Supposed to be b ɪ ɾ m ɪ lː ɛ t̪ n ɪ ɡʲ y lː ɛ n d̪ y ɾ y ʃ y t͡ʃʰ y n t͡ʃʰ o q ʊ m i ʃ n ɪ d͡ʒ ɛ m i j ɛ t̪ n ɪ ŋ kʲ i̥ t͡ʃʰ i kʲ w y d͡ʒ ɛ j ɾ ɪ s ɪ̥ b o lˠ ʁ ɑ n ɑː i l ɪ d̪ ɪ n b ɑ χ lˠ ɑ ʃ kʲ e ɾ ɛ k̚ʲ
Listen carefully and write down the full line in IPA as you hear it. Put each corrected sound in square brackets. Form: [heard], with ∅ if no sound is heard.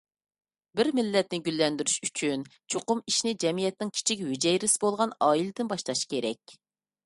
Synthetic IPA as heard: b ɪ ɾ m ɪ lː ɛ t̪ n ɪ ɡʲ y lː ɛ n d̪ y ɾ y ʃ y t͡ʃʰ y n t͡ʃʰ o q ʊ m i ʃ n ɪ d͡ʒ ɛ m i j ɛ t̪ n ɪ ŋ [kʲʰ] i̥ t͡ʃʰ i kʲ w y d͡ʒ ɛ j ɾ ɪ s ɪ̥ b o lˠ ʁ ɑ n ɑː i l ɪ d̪ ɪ n b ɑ [ʃ] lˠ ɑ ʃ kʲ e ɾ ɛ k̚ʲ